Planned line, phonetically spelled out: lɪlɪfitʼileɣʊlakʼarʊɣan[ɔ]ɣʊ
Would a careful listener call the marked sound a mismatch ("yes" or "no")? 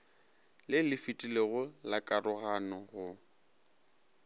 no